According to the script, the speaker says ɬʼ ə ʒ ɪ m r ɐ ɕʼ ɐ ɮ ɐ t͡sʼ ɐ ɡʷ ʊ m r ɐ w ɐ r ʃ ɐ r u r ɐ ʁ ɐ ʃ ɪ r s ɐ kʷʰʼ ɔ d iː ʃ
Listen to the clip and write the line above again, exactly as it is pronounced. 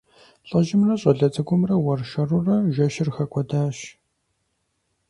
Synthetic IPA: ɬʼ ɐ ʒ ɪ m r ɐ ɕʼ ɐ ɮ ɐ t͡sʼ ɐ ɡʷ ʊ m r ɐ w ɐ r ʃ ɐ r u r ɐ ʒ ɐ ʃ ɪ r x ɐ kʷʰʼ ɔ d aː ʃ

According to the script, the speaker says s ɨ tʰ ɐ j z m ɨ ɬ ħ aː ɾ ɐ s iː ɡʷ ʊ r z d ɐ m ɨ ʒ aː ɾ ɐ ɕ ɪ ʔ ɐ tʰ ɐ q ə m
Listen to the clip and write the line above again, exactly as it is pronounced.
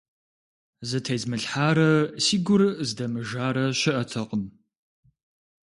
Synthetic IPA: z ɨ tʰ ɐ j z m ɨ ɬ ħ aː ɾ ɐ s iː ɡʷ ʊ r z d ɐ m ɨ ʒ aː ɾ ɐ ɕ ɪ ʔ ɐ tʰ ɐ q ə m

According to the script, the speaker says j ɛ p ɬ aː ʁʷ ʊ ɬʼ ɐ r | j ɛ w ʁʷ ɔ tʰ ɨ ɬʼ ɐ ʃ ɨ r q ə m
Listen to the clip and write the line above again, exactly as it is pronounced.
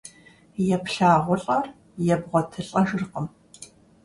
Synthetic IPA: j ɛ p ɬ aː ʁʷ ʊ ɬʼ ɐ r | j ɛ b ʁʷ ɔ tʰ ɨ ɬʼ ɐ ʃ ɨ r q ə m

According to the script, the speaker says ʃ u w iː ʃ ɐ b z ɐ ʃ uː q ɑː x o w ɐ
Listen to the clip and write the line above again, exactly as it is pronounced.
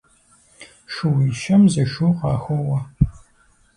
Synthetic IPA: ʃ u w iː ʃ ɐ m z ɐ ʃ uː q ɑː x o w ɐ

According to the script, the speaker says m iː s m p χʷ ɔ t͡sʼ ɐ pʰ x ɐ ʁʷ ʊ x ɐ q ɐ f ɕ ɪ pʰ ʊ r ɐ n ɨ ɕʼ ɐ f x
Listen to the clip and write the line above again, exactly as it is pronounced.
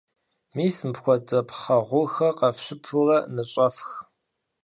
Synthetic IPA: m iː s m p xʷ ɔ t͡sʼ ɐ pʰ χ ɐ ʁʷ ʊ x ɐ q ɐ f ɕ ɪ pʰ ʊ r ɐ n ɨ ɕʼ ɐ f x

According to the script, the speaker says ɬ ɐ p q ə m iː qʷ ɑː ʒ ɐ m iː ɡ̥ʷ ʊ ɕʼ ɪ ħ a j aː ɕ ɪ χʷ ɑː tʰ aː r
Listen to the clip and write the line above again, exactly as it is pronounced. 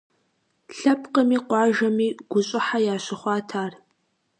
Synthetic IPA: ɬ ɐ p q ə m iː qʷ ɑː ʒ ɐ m iː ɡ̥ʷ ʊ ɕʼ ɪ ħ a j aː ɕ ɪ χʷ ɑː tʰ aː r

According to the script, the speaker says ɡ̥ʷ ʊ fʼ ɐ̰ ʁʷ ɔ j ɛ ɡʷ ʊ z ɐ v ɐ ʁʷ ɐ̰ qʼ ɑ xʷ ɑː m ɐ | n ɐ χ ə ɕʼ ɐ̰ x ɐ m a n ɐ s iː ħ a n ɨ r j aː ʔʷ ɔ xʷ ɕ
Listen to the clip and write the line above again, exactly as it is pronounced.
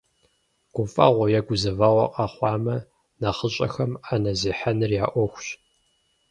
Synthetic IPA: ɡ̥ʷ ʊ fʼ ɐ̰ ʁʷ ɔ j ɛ ɡʷ ʊ z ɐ v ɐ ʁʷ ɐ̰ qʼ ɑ χʷ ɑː m ɐ | n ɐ χ ə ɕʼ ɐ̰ x ɐ m a n ɐ z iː ħ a n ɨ r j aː ʔʷ ɔ xʷ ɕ

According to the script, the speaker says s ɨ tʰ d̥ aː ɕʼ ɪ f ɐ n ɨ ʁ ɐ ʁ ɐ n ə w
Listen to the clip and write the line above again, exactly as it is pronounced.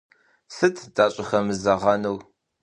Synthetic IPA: s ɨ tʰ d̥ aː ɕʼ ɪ x ɐ m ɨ z ɐ ʁ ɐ n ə w

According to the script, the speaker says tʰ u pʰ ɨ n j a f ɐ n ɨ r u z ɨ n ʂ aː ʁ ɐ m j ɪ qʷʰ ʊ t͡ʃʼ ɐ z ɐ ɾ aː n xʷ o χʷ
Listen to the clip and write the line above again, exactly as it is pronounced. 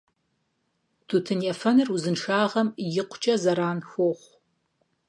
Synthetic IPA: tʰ u tʰ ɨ n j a f ɐ n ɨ r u z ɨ n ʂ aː ʁ ɐ m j ɪ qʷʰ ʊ t͡ʃʼ ɐ z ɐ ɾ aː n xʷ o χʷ

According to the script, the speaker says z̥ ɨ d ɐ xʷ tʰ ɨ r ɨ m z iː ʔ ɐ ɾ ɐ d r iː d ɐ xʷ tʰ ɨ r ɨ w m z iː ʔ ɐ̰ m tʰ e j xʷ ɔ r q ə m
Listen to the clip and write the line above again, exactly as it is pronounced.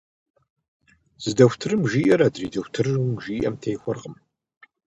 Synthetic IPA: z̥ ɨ d ɐ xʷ tʰ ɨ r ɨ m ʒ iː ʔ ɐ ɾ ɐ d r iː d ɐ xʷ tʰ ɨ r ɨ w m ʒ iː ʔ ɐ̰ m tʰ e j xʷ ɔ r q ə m

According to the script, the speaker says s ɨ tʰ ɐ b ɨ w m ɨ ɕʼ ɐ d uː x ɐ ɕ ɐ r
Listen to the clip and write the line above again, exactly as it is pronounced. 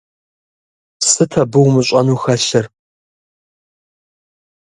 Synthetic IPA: s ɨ tʰ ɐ b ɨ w m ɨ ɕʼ ɐ n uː x ɐ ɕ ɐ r

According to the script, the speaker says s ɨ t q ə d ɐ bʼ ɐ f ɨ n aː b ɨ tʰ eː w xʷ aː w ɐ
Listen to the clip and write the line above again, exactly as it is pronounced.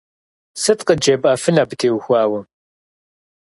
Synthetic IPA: s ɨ t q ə d͡ʒ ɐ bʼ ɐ f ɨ n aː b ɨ tʰ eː w xʷ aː w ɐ

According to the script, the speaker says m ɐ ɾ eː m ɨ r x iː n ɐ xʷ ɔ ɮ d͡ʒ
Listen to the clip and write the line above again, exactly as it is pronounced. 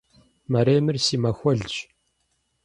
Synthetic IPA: m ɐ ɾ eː m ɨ r s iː m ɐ xʷ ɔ ɮ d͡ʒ

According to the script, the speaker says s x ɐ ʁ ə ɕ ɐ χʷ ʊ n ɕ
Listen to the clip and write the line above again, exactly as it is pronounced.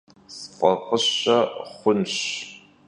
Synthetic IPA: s f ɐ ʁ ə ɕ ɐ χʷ ʊ n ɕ

